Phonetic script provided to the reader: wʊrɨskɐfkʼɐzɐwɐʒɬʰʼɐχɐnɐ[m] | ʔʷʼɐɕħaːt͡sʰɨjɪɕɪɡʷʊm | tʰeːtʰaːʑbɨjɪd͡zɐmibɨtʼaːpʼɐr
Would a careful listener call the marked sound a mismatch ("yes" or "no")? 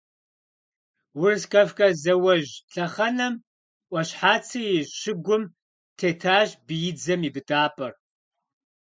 no